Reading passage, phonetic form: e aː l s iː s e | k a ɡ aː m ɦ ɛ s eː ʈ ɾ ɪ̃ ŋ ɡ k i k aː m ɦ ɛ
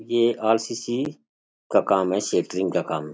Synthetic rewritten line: e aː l s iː s i | k a k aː m ɦ ɛ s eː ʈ ɾ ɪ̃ ŋ ɡ k a k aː m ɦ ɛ

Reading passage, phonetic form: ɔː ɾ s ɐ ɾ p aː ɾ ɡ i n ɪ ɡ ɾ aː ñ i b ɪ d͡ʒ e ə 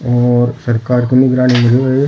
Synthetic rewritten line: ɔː ɾ s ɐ ɾ k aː ɾ k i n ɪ ɡ ɾ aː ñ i m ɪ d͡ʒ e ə

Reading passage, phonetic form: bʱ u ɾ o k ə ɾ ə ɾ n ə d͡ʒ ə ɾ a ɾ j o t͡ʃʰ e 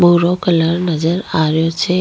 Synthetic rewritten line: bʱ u ɾ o k ə l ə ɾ n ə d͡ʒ ə ɾ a ɾ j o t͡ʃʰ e

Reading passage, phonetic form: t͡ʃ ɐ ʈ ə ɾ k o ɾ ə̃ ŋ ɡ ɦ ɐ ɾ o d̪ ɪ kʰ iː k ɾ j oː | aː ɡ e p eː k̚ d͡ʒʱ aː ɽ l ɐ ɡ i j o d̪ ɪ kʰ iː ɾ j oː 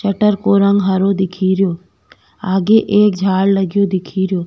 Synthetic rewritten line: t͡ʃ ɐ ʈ ə ɾ k o ɾ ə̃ ŋ ɡ ɦ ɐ ɾ o d̪ ɪ kʰ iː ɾ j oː | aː ɡ e ʔ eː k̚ d͡ʒʱ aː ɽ l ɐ ɡ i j o d̪ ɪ kʰ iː ɾ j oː

